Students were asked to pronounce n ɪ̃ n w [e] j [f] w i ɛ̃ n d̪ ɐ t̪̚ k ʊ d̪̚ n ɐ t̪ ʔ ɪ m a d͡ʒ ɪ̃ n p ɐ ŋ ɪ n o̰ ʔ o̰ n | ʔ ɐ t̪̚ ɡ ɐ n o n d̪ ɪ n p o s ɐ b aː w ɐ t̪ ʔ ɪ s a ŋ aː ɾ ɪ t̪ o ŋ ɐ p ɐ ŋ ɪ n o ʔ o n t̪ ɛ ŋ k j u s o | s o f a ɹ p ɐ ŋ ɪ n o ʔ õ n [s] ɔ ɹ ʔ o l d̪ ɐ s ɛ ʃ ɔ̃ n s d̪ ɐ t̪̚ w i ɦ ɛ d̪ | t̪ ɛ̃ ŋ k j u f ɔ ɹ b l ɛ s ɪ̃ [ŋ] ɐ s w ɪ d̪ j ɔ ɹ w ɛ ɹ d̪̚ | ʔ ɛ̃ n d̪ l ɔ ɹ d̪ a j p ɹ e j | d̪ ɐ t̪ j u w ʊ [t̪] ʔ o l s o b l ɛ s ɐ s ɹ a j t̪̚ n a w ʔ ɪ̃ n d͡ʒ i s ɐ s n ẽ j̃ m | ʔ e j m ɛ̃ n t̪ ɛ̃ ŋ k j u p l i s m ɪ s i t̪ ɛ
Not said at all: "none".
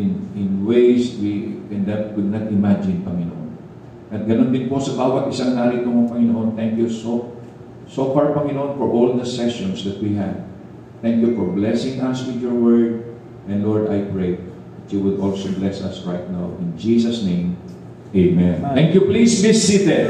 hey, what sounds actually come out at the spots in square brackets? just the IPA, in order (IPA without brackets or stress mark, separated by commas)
e, s, f, ŋ, d̪